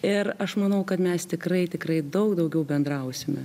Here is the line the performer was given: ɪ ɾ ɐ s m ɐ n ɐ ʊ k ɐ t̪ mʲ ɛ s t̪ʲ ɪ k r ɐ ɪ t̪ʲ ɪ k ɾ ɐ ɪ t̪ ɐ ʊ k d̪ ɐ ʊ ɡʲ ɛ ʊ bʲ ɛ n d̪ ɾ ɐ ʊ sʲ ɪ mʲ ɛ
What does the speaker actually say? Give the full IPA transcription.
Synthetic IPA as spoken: ɪ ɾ ɐ ʃ m ɐ n ɐ ʊ k ɐ t̪ mʲ ɛ s t̪ʲ ɪ k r ɐ ɪ t̪ʲ ɪ k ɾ ɐ ɪ d̪ ɐ ʊ k d̪ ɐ ʊ ɡʲ ɛ ʊ bʲ ɛ n d̪ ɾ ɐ ʊ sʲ ɪ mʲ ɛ